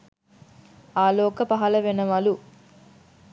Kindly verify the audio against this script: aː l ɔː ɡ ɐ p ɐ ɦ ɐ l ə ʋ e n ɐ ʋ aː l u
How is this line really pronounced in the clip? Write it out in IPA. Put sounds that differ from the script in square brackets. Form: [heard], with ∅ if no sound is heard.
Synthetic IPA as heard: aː l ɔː [k] ɐ p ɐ ɦ ɐ l [ɐ] ʋ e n ɐ ʋ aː l u